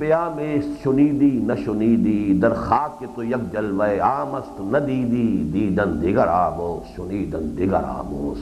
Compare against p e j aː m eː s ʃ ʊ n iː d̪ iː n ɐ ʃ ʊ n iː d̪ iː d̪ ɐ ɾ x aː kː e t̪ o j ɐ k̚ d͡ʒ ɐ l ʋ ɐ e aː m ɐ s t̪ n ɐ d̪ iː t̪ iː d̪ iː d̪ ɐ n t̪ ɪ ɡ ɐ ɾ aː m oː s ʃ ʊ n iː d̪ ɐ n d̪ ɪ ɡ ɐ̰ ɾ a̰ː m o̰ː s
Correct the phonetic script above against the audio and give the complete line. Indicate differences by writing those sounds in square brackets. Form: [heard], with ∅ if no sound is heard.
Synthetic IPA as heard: p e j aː m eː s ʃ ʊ n iː d̪ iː n ɐ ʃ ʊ n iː d̪ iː d̪ ɐ ɾ x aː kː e t̪ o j ɐ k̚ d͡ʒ ɐ l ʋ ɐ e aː m ɐ s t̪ n ɐ d̪ iː [d̪] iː d̪ iː d̪ ɐ n [d̪] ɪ ɡ ɐ ɾ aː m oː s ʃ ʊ n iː d̪ ɐ n d̪ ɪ ɡ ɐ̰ ɾ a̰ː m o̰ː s